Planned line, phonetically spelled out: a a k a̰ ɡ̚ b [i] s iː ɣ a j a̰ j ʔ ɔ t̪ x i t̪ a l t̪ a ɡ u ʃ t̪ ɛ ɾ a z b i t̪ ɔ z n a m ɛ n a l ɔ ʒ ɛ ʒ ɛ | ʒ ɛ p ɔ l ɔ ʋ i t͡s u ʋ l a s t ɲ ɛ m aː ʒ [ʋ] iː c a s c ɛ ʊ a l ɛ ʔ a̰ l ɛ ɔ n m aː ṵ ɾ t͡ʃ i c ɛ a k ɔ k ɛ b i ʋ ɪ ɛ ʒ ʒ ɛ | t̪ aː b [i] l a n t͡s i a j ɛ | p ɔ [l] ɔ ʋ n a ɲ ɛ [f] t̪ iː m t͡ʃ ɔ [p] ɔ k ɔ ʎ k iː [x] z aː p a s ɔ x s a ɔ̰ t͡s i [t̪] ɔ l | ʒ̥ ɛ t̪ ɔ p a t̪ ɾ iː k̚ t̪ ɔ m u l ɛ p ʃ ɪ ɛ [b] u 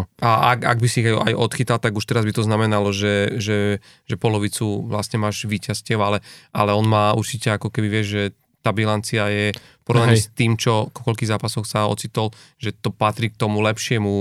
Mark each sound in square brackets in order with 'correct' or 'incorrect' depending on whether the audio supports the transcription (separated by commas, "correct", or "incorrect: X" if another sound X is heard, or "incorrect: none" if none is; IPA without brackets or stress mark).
correct, correct, correct, incorrect: ɾ, incorrect: s, incorrect: k, incorrect: ɣ, correct, incorrect: m